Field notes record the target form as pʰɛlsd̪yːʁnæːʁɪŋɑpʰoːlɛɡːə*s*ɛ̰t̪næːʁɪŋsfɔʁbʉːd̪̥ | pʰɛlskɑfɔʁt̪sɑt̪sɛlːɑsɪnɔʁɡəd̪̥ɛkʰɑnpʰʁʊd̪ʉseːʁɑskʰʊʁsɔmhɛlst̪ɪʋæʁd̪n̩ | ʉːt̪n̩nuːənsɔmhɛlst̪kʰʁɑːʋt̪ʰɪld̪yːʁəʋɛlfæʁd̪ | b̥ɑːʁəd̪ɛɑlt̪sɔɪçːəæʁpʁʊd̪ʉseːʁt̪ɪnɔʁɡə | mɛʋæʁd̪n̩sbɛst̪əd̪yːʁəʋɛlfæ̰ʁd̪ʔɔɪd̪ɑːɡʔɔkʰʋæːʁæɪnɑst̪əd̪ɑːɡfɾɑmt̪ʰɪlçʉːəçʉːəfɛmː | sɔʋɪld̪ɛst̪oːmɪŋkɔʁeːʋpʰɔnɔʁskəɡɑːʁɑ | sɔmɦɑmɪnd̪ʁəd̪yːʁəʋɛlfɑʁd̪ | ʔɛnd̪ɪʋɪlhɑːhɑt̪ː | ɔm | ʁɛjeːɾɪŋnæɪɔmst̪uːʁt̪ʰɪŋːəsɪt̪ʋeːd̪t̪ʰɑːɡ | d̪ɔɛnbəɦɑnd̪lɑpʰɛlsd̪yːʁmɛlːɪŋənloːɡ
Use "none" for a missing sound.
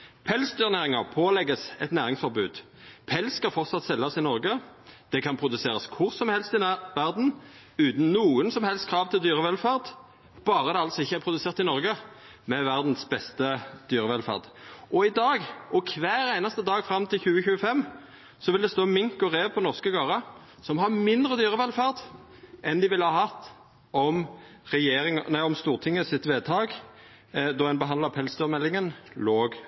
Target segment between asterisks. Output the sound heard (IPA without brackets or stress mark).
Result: s